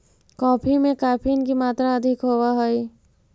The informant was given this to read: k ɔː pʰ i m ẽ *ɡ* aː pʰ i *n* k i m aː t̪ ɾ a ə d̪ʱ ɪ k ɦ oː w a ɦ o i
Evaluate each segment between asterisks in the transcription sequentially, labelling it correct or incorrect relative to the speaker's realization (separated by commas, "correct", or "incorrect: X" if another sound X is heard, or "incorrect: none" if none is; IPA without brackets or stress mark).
incorrect: k, correct